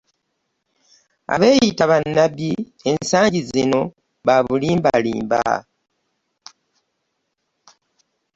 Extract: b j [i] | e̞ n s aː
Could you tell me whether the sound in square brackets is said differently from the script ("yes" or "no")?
no